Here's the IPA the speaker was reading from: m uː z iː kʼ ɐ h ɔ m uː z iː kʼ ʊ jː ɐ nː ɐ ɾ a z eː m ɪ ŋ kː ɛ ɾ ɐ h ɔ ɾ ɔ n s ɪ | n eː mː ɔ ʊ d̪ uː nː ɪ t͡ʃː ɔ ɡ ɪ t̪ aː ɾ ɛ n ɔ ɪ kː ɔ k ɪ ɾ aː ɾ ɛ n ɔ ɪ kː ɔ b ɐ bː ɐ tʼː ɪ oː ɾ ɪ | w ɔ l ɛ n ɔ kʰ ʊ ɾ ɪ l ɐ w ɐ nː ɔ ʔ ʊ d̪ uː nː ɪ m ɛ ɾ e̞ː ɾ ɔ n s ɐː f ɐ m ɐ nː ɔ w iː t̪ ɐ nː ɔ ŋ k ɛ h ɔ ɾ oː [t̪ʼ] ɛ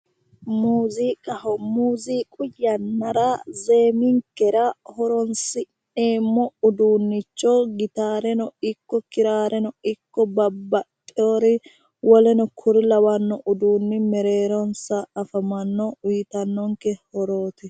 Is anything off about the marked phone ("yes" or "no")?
yes